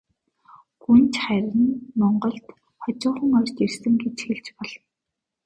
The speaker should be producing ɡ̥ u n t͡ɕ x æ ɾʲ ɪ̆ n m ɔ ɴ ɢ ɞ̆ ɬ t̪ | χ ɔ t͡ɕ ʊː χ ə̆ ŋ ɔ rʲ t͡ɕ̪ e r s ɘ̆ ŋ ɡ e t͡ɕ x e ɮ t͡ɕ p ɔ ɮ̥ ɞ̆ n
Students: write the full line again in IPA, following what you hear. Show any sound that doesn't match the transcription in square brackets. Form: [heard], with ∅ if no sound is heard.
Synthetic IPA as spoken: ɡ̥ u n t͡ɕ [χ] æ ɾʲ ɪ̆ n m ɔ ɴ ɢ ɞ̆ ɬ t̪ | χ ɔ t͡ɕ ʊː χ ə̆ ŋ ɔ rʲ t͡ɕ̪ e r s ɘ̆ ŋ ɡ e t͡ɕ x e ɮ t͡ɕ p ɔ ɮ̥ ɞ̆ n